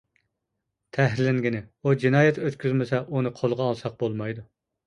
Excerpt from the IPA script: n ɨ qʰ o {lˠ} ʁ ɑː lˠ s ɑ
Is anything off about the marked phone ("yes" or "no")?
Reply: no